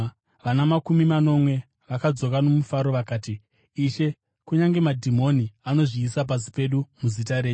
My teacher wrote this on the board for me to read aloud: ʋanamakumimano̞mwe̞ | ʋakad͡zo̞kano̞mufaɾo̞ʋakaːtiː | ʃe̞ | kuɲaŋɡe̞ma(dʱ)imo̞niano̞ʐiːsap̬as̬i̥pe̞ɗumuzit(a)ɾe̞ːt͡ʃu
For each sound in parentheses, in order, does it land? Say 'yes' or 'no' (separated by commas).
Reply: yes, yes